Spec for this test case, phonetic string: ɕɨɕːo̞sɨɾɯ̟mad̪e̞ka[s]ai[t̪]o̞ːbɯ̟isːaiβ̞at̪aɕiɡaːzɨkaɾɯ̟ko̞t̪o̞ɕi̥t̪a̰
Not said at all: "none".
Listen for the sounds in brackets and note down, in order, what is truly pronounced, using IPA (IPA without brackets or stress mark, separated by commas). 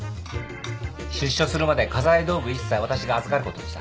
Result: z, d̪